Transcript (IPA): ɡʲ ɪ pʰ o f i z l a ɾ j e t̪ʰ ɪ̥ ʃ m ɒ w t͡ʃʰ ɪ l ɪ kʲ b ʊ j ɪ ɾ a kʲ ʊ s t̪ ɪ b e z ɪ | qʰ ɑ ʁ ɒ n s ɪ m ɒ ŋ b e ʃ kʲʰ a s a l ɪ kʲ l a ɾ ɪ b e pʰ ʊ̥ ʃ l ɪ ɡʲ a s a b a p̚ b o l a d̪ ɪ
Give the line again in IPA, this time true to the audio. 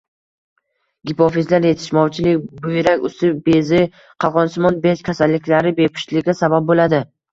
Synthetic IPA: ɡʲ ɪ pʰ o f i z l a ɾ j e t̪ʰ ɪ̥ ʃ m ɒ w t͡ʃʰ ɪ l ɪ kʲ b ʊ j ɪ ɾ a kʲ ʊ s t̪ ɪ b e z ɪ | qʰ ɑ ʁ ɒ n s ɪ m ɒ n b e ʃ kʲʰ a s a lː ɪ kʲ l a ɾ ɪ b e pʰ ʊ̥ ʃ l ɪ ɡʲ a s a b a p̚ b o l a d̪ ɪ